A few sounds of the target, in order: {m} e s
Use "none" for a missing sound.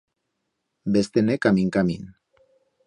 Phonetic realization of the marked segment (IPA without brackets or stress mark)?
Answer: b